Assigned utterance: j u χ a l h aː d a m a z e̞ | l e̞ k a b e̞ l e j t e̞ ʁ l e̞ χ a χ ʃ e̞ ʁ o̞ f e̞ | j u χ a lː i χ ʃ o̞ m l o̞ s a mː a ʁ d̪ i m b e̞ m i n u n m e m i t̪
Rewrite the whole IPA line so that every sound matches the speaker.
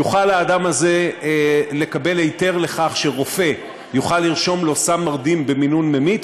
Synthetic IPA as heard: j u χ a l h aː d a m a z e̞ | l e̞ k a b e̞ l e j t e̞ ʁ l e̞ χ a χ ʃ e̞ ʁ o̞ f e̞ | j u χ a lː i ʁ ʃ o̞ m l o̞ s a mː a ʁ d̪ i m b e̞ m i n u n m e m i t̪